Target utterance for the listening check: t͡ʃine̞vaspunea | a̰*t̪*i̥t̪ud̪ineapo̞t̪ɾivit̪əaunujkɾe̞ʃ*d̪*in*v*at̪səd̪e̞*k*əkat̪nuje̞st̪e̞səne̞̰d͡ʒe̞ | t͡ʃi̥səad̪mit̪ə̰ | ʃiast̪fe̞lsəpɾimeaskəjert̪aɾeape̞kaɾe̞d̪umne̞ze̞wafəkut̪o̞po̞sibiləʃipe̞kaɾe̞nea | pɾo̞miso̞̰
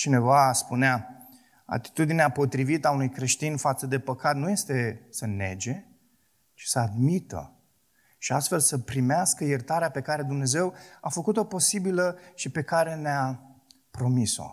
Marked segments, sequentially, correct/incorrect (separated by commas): correct, incorrect, incorrect, incorrect